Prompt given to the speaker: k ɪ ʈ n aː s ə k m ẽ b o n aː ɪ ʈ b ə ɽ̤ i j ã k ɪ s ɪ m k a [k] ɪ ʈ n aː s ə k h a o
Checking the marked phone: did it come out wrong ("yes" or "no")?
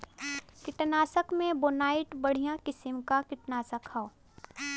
no